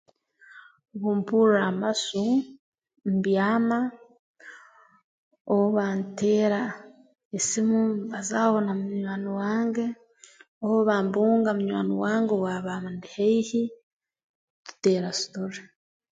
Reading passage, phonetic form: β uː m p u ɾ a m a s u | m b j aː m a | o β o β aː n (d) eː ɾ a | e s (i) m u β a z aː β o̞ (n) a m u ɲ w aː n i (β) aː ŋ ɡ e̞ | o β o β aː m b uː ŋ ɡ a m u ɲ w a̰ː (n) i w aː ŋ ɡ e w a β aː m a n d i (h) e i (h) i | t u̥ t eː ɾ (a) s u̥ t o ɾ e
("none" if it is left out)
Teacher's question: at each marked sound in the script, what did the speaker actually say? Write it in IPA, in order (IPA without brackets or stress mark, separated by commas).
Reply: t, i, n, w, n, h, h, a